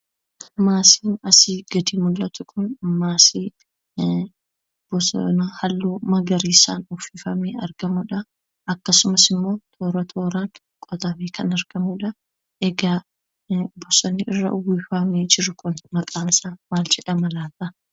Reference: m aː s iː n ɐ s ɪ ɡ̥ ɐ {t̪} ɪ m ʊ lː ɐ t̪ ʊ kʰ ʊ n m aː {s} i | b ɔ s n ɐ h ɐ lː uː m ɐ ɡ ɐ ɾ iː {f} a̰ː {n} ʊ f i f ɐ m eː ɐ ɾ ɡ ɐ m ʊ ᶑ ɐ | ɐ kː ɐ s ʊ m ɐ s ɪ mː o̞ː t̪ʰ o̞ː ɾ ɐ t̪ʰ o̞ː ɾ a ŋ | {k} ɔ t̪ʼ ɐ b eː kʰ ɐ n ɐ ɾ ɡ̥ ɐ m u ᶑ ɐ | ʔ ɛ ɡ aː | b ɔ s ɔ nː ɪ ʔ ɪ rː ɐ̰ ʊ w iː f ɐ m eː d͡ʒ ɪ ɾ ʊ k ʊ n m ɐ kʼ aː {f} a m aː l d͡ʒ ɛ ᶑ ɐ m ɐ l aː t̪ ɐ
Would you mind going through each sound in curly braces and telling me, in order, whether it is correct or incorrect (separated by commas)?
incorrect, correct, incorrect, correct, incorrect, incorrect